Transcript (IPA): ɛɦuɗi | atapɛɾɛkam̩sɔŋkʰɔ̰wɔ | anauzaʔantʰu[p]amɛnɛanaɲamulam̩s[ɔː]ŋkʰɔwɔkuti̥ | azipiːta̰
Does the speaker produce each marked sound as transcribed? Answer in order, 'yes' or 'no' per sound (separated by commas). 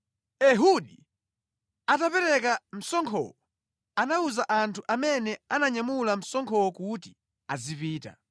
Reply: no, no